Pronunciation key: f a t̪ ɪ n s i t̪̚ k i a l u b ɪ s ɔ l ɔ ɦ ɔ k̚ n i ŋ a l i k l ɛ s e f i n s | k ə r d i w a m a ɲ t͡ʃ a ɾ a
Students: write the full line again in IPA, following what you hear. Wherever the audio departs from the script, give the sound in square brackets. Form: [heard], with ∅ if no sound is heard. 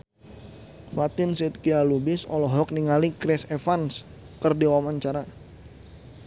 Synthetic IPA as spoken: f a t̪ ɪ n s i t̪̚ k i a l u b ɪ s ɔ l ɔ ɦ ɔ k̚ n i ŋ a l i k [ɾ] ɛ s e f [a] n s | k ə r d i w a m a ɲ t͡ʃ a ɾ a

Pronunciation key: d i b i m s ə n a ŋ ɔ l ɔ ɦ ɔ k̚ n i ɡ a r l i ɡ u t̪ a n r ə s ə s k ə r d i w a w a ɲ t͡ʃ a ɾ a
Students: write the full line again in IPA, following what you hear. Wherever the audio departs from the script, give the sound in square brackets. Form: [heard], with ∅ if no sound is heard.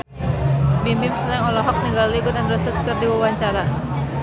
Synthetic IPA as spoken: [b] i [m] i m s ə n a ŋ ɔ l ɔ ɦ ɔ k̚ n i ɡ a [l] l i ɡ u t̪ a n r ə s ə s k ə r d i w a w a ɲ t͡ʃ a ɾ a

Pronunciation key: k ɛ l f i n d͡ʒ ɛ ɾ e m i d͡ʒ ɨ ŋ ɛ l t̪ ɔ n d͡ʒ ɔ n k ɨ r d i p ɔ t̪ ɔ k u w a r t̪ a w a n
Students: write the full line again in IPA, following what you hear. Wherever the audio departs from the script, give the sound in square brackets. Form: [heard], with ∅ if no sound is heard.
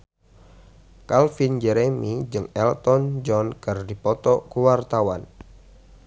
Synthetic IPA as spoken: k [a] l f i n d͡ʒ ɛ ɾ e m i d͡ʒ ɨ ŋ ɛ l t̪ ɔ n d͡ʒ ɔ n k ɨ r d i p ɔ t̪ ɔ k u w a r t̪ a w a n

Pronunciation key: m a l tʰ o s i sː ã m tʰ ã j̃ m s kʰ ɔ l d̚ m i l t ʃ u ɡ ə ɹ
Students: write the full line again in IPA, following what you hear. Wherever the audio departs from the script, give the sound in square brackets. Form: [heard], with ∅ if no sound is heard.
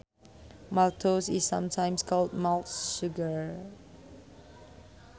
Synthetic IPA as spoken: m a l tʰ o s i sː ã m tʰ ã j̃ m s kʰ ɔ l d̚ m [a] l t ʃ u ɡ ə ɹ

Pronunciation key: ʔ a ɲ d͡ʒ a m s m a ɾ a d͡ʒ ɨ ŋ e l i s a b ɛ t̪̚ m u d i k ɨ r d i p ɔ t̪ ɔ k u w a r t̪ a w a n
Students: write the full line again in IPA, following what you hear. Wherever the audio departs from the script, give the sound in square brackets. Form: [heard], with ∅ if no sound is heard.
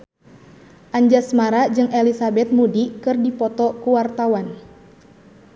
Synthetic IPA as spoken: ʔ a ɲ d͡ʒ a [∅] s m a ɾ a d͡ʒ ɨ ŋ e l i s a b ɛ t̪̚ m u d i k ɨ r d i p ɔ t̪ ɔ k u w a r t̪ a w a n

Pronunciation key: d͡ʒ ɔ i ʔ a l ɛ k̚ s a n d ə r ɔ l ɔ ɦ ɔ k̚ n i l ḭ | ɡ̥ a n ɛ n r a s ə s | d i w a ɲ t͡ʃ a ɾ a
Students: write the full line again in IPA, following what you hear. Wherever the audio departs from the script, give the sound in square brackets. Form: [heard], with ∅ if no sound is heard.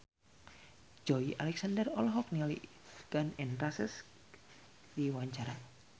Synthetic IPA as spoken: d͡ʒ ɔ i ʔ a l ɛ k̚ s a n d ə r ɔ l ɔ ɦ ɔ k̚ n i l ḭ | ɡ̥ a n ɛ n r a s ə s | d i w a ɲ t͡ʃ a ɾ a

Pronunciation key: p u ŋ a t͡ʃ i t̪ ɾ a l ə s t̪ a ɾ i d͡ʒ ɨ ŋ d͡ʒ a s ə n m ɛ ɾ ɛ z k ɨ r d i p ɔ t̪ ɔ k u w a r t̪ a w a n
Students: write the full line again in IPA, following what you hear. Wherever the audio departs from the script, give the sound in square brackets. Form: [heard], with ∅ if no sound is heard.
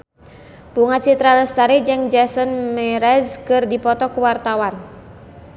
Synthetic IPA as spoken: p u ŋ a t͡ʃ i t̪ ɾ a l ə s t̪ a ɾ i d͡ʒ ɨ ŋ d͡ʒ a s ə n m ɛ ɾ ɛ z k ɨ r d i p ɔ t̪ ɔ k u w a r t̪ a w a n

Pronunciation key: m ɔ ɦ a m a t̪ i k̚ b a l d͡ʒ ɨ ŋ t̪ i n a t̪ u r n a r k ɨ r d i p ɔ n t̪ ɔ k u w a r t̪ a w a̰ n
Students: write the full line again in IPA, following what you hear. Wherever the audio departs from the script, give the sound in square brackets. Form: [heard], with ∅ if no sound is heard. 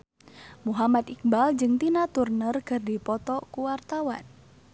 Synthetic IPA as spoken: m [u] ɦ a m a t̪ i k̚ b a l d͡ʒ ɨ ŋ t̪ i n a t̪ u r n [ə] r k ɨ r d i p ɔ [∅] t̪ ɔ k u w a r t̪ a w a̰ n

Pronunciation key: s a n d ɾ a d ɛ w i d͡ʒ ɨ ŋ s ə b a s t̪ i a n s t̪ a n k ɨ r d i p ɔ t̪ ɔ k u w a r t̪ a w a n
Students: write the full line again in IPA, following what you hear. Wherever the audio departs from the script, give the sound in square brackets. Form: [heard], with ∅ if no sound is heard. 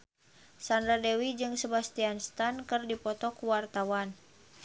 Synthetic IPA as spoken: s a n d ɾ a d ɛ w i d͡ʒ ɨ ŋ s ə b a s t̪ i a n s t̪ a n k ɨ r d i p ɔ t̪ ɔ k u w a r t̪ a w a n

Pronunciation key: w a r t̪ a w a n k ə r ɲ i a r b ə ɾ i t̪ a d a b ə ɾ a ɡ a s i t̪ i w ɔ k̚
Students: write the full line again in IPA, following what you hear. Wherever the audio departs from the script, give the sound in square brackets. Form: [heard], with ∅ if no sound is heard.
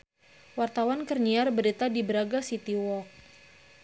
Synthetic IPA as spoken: w a r t̪ a w a n k ə r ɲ i a r b ə ɾ i t̪ a d [i] b ə ɾ a ɡ a s i t̪ i w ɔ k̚

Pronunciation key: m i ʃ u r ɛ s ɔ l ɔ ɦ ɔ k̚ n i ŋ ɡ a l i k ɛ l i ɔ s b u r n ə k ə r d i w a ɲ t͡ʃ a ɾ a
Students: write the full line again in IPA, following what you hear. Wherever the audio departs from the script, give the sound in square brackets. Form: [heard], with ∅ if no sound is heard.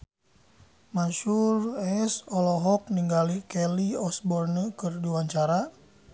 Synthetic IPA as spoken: m [a] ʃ u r ɛ s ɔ l ɔ ɦ ɔ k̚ n i ŋ ɡ a l i k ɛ l i ɔ s b [ɔ] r n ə k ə r d i w a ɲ t͡ʃ a ɾ a

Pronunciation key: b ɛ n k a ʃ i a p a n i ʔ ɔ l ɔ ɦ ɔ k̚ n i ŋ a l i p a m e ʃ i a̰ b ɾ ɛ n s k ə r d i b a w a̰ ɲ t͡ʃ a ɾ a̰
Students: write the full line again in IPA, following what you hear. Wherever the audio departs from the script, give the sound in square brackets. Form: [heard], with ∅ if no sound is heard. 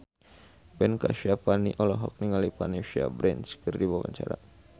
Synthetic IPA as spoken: b ɛ n k a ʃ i a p a n i ʔ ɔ l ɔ ɦ ɔ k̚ n i ŋ a l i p a [n] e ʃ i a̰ b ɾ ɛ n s k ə r d i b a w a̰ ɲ t͡ʃ a ɾ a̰

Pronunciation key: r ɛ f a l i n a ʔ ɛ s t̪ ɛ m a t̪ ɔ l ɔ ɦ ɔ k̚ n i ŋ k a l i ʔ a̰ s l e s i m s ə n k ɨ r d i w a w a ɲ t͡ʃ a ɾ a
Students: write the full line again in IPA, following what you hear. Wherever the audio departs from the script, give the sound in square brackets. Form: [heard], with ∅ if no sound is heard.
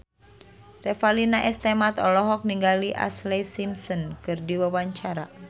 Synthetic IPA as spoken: r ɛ f a l i n a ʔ ɛ s t̪ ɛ m a t̪ ɔ l ɔ ɦ ɔ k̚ n i ŋ [ɡ] a l i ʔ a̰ s l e s i m s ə n k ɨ r d i w a w a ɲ t͡ʃ a ɾ a

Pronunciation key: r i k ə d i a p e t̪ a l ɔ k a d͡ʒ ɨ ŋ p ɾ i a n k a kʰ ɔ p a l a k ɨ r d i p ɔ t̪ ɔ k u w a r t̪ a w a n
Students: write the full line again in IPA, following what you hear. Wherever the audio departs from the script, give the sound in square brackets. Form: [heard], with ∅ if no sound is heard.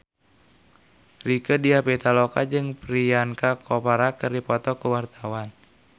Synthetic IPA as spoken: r i k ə d i a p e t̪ a l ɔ k a d͡ʒ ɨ ŋ p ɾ i a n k a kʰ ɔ p a [ɾ] a k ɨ r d i p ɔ t̪ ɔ k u w a r t̪ a w a n

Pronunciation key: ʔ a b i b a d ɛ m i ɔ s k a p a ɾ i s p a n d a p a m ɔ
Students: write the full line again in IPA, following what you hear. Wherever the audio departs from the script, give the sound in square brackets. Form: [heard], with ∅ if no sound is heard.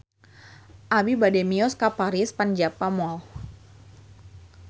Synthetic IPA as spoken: ʔ a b i b a d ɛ m i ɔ s k a p a ɾ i s p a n [d͡ʒ] a p a m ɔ

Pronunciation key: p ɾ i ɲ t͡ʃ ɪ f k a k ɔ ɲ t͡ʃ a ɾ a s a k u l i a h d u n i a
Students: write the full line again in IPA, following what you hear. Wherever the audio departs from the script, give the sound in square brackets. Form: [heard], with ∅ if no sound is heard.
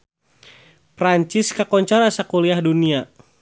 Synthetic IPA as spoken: p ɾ [a] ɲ t͡ʃ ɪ [s] k a k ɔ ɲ t͡ʃ a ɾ a s a k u l i a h d u n i a

